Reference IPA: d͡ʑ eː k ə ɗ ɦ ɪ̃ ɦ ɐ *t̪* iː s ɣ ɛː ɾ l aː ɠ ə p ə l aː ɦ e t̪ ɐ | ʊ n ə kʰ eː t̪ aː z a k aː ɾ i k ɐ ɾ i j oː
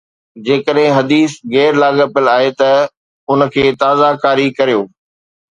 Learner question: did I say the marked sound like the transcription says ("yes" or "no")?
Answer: no